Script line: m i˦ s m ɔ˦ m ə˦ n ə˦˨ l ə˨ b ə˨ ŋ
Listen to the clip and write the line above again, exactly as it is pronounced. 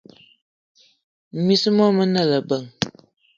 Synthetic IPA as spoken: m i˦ s m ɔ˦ m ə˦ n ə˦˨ l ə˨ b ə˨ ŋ